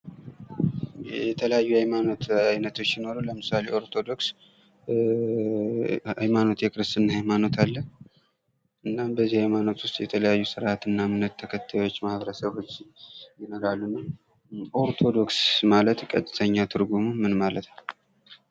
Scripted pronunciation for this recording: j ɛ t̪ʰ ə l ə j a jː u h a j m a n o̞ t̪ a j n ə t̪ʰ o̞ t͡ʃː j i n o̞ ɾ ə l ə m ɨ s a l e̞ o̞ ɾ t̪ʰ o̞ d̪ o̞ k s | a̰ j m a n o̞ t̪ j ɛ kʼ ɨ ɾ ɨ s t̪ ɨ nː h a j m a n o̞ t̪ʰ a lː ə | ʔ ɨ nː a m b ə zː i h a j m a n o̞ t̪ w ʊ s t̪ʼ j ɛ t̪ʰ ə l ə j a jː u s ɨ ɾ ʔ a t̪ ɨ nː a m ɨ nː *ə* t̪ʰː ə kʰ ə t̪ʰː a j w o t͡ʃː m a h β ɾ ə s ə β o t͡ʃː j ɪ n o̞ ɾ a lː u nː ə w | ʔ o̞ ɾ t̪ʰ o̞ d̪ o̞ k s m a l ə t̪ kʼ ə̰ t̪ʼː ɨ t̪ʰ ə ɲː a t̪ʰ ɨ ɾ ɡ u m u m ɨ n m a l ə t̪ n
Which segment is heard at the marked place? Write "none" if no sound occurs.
ə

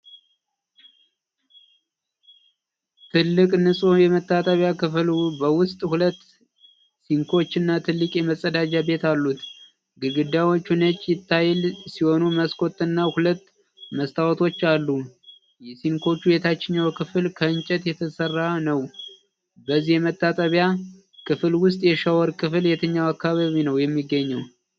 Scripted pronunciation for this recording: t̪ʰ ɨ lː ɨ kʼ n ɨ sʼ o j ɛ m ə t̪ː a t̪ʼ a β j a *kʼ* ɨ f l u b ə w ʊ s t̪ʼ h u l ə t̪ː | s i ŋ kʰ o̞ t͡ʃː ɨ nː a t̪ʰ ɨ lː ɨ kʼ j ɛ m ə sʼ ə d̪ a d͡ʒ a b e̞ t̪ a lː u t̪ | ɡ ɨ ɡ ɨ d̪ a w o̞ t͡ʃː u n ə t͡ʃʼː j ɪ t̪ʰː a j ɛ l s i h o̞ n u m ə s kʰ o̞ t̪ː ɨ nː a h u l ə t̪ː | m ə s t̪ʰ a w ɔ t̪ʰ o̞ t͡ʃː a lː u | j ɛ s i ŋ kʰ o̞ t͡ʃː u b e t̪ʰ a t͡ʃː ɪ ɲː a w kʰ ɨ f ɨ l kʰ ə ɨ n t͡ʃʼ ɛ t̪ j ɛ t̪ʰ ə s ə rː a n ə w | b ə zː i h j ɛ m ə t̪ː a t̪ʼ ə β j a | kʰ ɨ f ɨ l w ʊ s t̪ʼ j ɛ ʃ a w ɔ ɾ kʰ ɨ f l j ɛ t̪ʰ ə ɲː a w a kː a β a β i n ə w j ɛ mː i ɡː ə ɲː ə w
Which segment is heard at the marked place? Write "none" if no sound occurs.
k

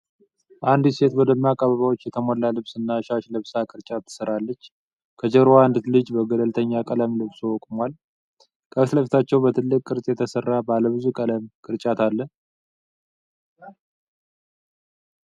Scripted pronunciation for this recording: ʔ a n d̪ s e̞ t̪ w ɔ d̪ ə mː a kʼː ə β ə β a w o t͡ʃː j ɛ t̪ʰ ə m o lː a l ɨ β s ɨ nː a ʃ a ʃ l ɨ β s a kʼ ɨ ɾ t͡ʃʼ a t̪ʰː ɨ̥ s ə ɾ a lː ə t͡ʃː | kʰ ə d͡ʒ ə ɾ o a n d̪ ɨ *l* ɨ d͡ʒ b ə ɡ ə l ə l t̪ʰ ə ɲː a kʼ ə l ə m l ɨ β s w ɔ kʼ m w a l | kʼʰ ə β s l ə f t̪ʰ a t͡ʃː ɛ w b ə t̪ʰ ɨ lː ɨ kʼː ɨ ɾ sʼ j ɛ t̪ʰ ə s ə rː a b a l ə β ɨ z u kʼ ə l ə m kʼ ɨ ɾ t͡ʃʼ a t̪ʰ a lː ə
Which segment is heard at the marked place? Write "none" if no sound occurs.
l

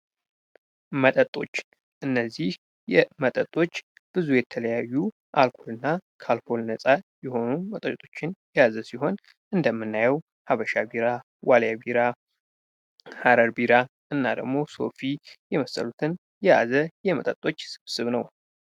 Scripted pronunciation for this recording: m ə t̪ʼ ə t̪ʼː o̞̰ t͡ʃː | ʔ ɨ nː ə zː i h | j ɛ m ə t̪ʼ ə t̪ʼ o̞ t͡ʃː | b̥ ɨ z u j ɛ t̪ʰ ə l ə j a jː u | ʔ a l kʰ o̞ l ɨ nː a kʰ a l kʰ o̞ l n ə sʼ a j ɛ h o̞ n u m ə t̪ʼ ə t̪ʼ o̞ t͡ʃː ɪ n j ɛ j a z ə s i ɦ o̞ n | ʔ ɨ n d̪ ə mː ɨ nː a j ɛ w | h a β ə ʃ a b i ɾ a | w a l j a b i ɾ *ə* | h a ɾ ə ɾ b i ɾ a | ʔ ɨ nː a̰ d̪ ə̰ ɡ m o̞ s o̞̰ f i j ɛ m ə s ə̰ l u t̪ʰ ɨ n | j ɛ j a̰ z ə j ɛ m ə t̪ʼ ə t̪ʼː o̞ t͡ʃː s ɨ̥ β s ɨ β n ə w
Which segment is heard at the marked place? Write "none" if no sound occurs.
a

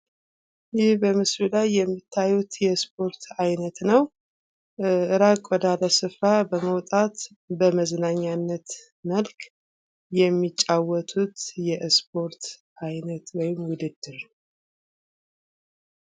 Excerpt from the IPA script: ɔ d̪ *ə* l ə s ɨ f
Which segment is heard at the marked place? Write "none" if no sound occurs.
a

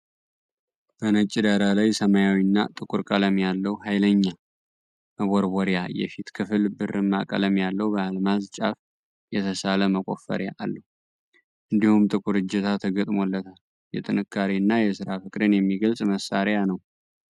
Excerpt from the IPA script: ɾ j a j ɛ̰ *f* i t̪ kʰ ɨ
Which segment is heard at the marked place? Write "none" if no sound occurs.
f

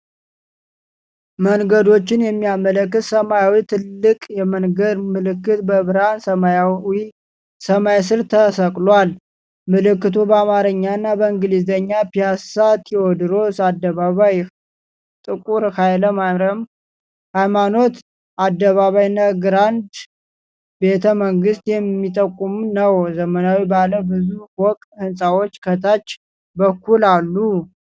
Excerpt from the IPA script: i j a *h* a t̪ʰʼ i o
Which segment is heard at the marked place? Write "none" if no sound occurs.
s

